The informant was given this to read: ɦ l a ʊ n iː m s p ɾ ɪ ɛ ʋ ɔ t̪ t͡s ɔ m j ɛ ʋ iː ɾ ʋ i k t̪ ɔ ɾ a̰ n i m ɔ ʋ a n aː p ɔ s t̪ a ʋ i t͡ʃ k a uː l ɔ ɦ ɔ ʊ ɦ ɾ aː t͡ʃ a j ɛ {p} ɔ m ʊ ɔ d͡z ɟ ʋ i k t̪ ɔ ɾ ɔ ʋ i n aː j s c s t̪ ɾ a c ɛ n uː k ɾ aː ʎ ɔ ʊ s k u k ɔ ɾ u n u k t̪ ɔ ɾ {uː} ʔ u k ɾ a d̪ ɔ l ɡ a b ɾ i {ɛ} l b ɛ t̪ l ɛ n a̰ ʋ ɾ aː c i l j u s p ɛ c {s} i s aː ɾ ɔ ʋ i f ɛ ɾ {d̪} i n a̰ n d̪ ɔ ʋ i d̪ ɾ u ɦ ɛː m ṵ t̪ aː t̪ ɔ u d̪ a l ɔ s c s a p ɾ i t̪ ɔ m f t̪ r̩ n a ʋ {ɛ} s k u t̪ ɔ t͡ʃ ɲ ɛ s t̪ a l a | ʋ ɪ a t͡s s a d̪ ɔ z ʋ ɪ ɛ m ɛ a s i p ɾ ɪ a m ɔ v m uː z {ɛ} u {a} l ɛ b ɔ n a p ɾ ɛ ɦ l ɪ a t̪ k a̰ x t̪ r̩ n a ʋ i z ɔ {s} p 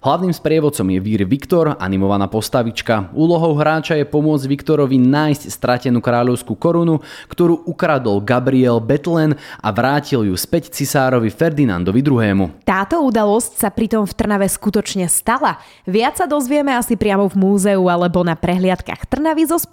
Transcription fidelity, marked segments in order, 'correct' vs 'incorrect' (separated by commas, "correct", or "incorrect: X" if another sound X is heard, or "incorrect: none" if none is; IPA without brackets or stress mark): correct, correct, correct, incorrect: t͡s, correct, correct, correct, correct, correct